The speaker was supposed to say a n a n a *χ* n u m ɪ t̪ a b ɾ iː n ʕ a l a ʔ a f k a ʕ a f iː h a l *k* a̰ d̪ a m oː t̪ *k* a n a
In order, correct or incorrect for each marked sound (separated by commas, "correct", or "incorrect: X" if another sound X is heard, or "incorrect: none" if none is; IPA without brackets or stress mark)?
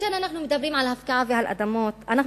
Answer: incorrect: ħ, incorrect: ʔ, incorrect: ʔ